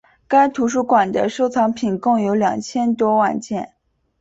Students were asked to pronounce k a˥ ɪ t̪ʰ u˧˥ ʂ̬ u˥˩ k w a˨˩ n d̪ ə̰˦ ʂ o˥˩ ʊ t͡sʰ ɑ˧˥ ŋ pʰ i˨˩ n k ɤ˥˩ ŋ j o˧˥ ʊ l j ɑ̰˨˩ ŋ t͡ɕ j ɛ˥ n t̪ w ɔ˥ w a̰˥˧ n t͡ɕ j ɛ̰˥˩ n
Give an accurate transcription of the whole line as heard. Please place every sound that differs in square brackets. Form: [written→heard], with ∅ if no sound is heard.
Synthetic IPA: k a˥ ɪ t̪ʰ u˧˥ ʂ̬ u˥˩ k w a˨˩ n d̪ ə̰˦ ʂ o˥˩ ʊ t͡sʰ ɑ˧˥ ŋ pʰ i˨˩ n k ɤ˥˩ ŋ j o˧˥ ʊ l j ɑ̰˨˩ ŋ [t͡ɕ→t͡ɕʰ] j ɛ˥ n t̪ w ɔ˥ w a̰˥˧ n t͡ɕ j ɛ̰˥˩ n